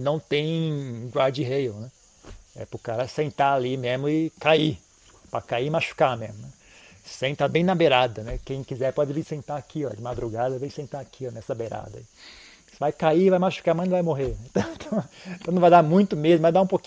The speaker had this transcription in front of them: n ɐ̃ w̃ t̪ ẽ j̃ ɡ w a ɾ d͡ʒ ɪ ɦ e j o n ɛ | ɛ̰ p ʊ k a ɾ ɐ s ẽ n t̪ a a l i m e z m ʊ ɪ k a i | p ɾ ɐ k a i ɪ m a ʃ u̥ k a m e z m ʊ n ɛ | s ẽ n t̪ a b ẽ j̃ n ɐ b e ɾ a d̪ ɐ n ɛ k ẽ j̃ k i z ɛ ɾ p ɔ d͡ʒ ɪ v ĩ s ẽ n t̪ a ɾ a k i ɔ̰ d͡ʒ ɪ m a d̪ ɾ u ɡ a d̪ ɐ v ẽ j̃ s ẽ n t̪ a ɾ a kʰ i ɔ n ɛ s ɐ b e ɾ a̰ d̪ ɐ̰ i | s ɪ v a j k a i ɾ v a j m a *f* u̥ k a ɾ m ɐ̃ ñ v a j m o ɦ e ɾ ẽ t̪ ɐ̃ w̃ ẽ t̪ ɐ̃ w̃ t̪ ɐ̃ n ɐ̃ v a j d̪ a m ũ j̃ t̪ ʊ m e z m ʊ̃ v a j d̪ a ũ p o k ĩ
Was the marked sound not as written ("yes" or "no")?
yes